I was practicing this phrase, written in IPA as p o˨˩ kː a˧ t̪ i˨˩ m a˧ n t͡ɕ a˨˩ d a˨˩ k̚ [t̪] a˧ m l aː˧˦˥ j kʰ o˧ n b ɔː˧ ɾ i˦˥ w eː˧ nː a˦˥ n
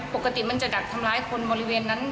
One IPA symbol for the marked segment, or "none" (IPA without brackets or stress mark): t̪ʰ